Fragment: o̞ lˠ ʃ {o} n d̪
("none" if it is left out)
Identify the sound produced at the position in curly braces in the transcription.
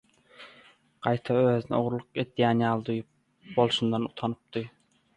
u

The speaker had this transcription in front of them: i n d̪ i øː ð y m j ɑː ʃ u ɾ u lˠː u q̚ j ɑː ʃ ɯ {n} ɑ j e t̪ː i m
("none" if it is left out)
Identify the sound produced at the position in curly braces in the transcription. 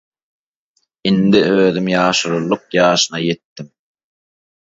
n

